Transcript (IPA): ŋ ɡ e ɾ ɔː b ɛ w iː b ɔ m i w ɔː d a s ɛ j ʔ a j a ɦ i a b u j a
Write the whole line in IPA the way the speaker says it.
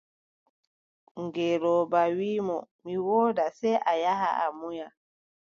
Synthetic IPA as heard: ŋ ɡ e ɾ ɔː b a w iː m ɔ m i w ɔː d a s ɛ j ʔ a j a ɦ a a m u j a